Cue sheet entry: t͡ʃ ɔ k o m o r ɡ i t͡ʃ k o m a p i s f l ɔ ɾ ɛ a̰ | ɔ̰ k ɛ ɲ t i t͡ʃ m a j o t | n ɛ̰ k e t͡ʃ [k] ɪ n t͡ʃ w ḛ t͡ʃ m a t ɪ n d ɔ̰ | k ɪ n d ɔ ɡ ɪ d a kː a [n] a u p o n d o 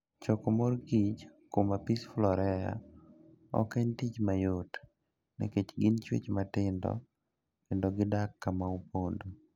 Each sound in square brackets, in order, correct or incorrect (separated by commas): incorrect, incorrect